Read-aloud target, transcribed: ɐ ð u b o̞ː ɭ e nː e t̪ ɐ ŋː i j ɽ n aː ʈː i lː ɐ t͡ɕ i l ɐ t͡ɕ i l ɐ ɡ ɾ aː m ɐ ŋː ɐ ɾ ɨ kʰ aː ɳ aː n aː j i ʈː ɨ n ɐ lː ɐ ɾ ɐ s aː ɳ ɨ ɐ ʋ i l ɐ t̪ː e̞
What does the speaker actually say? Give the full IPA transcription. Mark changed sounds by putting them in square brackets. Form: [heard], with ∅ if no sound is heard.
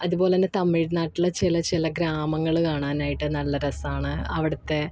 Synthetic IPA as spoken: ɐ ð u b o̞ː [l] e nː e t̪ ɐ [mː] i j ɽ n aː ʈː i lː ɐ t͡ɕ i l ɐ t͡ɕ i l ɐ ɡ ɾ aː m ɐ ŋː ɐ [ɭ] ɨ [k] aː ɳ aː n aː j i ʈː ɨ n ɐ lː ɐ ɾ ɐ s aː ɳ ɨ ɐ ʋ i [ɽ] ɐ t̪ː e̞